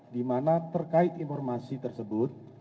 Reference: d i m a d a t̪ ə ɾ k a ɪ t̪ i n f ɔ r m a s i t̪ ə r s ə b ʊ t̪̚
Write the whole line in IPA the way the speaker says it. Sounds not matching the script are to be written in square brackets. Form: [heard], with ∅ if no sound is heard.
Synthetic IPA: d i m a [n] a t̪ ə [r] k a ɪ t̪ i n f ɔ r m a s i t̪ ə r s ə b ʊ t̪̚